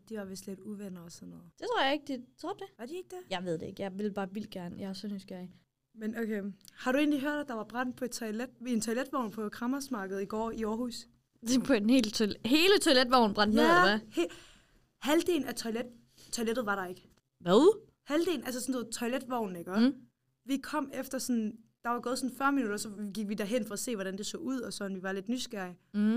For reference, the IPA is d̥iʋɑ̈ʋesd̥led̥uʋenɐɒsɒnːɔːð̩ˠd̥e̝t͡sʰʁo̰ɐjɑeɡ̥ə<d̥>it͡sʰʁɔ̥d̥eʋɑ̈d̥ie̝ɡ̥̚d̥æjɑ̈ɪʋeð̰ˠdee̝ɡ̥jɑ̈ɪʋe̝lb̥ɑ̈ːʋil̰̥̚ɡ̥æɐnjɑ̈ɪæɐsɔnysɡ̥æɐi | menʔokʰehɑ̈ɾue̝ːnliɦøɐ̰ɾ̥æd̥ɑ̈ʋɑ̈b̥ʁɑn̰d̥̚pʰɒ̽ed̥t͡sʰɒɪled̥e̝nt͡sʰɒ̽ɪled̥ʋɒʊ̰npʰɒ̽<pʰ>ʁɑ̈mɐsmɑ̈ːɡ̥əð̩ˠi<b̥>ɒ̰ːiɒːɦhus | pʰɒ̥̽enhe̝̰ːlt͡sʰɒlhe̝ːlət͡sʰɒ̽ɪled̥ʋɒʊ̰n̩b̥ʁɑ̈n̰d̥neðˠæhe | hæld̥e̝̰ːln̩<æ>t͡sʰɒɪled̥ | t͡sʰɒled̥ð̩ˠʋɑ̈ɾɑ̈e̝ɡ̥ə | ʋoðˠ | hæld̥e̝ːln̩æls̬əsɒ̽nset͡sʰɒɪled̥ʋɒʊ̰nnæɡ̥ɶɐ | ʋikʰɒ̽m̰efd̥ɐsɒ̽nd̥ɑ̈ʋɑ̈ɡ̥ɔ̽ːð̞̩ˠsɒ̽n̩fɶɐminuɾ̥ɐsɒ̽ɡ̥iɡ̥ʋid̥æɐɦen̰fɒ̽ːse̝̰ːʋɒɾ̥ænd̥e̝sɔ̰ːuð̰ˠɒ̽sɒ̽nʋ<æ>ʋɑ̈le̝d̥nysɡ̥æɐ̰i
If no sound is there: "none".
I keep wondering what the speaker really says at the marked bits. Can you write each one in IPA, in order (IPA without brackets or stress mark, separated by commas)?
d̥, kʰ, ɡ̥, æ, i